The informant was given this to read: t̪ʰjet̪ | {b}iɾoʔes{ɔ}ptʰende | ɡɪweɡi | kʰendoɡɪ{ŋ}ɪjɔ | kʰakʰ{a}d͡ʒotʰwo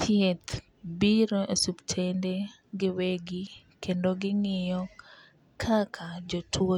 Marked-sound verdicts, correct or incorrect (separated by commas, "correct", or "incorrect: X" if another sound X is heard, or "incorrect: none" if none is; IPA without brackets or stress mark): correct, incorrect: u, correct, correct